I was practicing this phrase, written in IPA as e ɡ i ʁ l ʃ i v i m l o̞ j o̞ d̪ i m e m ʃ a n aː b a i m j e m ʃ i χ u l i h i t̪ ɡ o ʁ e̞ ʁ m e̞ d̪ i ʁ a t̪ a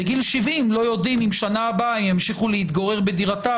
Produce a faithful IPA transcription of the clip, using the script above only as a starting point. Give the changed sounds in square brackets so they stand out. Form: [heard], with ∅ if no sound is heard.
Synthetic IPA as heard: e ɡ i [∅] l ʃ i v i m l o̞ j o̞ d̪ i m [i] m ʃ a n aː b a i m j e m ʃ i χ u l [e] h i t̪ ɡ o ʁ e̞ ʁ [b] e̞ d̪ i ʁ a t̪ a